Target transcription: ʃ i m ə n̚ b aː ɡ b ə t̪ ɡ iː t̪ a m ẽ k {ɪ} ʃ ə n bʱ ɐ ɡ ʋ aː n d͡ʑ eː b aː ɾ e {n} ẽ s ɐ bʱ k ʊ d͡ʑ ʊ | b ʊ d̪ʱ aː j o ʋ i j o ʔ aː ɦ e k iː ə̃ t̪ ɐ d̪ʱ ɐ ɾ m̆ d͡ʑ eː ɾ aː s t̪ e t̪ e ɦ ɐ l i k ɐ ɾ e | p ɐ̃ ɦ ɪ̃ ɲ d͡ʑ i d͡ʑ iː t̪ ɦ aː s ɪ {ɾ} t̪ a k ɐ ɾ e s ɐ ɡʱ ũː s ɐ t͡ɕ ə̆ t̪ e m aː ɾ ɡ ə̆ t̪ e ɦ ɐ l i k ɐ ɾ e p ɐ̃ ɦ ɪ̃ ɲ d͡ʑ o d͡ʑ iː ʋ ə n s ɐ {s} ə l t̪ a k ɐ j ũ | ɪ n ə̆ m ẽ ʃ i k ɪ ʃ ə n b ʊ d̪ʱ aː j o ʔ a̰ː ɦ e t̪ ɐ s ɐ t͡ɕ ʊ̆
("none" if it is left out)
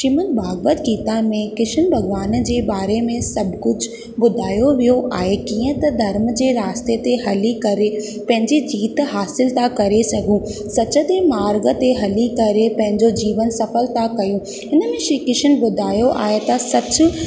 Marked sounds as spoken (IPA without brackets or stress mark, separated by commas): ɪ, m, l, f